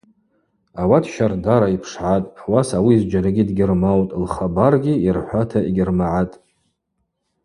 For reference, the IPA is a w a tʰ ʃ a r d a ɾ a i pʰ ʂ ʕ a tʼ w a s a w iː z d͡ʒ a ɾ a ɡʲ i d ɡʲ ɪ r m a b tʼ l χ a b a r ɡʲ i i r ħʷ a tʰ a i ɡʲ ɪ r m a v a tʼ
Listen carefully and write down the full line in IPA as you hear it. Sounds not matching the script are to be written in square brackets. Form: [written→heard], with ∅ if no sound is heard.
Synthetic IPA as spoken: a w a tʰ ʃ a r d a ɾ a i pʰ ʂ ʕ a tʼ w a s a w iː z d͡ʒ a ɾ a ɡʲ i d ɡʲ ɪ r m a [b→w] tʼ l χ a b a r ɡʲ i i r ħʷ a tʰ a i ɡʲ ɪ r m a [v→ʕ] a tʼ